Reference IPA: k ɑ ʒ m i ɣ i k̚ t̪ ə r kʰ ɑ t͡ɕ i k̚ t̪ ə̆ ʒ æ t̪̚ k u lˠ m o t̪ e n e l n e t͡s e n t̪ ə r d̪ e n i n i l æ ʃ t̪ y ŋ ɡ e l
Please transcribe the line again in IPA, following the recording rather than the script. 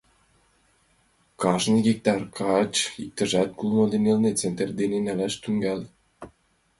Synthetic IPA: k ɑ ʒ n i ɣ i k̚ t̪ ɑ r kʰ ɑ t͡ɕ i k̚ t̪ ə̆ ʒ æ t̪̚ k u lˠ m o d̪ e n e l n e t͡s e n t̪ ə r d̪ e n e n æ l æ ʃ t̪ y ŋ ɡ æ l